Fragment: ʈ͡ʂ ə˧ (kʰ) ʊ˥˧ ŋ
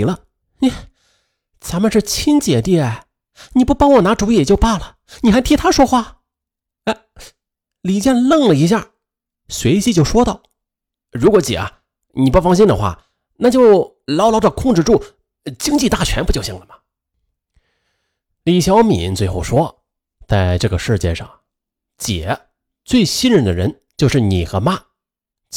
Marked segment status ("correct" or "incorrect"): correct